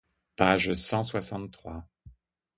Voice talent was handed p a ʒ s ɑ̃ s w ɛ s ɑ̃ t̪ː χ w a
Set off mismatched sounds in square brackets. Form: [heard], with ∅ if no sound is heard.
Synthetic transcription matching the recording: p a ʒ s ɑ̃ s w [a] s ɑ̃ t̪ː χ w a